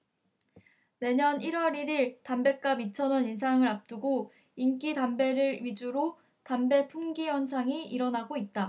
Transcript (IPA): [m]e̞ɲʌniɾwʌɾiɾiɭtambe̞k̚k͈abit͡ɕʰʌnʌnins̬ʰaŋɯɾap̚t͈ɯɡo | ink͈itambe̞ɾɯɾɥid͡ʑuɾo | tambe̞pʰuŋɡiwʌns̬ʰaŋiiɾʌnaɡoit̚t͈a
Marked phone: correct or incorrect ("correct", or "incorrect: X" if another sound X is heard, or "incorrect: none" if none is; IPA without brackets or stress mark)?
incorrect: n